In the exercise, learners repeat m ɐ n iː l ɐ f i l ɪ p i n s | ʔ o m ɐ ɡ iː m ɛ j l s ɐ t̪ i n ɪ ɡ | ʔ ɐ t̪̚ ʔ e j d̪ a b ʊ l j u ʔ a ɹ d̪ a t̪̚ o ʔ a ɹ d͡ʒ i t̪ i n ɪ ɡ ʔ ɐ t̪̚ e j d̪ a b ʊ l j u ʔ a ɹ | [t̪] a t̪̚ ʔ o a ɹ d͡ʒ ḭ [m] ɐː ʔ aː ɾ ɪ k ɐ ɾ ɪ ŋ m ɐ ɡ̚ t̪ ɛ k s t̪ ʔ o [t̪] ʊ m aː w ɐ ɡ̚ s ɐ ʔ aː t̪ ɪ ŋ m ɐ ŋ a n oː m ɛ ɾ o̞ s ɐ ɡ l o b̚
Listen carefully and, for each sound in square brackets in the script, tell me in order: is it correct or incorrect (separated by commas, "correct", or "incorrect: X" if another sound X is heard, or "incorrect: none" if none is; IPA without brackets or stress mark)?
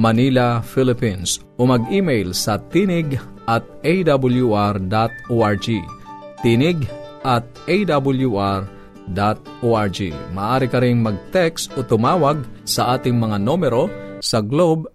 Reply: incorrect: d̪, correct, correct